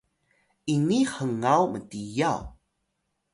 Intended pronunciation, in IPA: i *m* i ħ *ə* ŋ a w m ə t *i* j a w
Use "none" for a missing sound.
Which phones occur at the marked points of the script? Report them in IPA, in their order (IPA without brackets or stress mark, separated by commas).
n, ə, i